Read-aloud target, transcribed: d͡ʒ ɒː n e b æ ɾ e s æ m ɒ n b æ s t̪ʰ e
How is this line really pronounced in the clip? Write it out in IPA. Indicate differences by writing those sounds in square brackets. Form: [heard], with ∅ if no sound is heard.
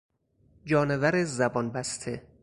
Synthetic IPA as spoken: d͡ʒ ɒː n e [v] æ ɾ e [z] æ [b] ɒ n b æ s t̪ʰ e